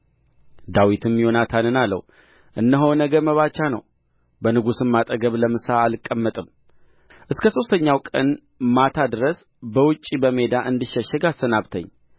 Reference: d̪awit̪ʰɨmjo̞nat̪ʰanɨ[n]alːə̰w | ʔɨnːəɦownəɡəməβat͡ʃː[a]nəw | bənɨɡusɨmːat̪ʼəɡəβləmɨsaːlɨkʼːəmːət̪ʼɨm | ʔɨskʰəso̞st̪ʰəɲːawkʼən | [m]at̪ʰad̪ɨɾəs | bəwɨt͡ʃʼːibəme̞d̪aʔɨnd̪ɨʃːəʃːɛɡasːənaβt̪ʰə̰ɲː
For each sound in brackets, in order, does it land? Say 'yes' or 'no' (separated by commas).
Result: yes, yes, yes